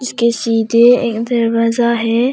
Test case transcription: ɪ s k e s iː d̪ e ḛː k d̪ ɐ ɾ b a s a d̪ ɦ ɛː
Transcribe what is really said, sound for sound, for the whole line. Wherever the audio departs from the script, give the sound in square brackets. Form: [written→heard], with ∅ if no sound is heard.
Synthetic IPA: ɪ s k e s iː d̪ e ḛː k d̪ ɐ ɾ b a [s→z] a [d̪→∅] ɦ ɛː